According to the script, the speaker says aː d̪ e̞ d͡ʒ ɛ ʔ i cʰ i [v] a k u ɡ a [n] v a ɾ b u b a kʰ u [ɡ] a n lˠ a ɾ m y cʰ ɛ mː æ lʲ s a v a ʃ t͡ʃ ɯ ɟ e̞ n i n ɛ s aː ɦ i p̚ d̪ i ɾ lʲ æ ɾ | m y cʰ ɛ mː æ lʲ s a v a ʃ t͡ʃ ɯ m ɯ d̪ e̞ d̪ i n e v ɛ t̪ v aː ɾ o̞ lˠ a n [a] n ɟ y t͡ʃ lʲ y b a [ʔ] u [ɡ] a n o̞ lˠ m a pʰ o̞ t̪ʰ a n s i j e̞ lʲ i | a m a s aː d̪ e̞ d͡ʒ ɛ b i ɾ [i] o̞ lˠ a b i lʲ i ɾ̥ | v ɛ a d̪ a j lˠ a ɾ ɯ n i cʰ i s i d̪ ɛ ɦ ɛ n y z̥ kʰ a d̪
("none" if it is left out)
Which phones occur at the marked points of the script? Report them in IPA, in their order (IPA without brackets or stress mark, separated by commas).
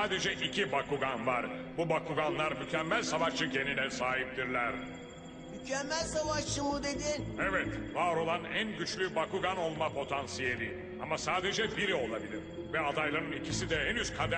b, n, ɡ, æ, k, ɡ, i